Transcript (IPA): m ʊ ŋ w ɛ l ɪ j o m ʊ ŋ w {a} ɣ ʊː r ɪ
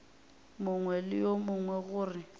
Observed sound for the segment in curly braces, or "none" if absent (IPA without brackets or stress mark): ɛ